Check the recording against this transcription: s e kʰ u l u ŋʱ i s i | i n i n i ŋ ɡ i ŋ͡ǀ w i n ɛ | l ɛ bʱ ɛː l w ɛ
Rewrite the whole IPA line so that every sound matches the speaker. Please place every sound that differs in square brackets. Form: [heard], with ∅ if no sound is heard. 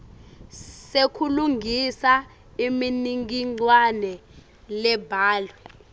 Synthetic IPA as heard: s e kʰ u l u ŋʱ i s [a] | i [m] i n i ŋ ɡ i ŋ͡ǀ w [a] n ɛ | l ɛ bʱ [aː] l w ɛ